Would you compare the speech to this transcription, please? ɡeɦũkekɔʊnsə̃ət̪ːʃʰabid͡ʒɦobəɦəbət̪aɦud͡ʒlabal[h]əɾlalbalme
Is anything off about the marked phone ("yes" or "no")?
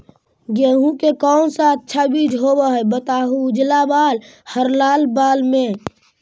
no